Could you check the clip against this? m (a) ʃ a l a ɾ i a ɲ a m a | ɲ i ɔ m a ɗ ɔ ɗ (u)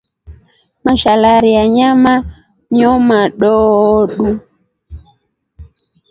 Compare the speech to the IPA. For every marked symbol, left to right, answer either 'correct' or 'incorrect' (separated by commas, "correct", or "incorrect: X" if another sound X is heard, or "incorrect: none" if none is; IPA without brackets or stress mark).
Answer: correct, correct